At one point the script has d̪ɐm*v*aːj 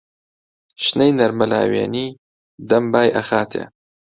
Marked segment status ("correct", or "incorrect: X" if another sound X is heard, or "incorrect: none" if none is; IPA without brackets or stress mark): incorrect: b